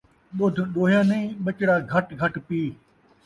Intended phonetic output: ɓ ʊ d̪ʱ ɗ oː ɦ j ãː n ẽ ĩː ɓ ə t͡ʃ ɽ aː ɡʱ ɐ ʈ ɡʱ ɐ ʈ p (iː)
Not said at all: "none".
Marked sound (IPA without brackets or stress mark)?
iː